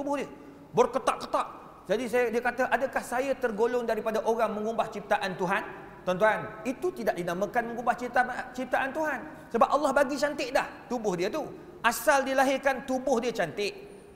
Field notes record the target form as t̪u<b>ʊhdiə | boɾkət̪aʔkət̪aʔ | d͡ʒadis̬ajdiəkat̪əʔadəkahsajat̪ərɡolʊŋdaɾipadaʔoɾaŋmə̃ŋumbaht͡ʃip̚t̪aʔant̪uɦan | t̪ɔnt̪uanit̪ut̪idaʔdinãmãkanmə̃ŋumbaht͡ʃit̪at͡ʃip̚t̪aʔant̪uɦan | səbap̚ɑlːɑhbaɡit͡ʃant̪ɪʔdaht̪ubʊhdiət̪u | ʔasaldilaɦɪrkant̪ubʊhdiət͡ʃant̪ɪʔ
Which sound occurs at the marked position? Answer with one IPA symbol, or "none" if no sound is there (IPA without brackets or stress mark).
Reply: b